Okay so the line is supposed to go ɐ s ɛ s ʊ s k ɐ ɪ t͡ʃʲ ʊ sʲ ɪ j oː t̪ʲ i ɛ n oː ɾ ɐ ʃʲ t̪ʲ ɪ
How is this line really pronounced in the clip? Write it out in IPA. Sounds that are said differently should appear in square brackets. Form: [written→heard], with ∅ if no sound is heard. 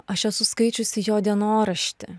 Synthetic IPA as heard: ɐ [s→ʃ] ɛ s ʊ s k ɐ ɪ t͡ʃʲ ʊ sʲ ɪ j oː [t̪ʲ→d̪ʲ] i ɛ n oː ɾ ɐ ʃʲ t̪ʲ ɪ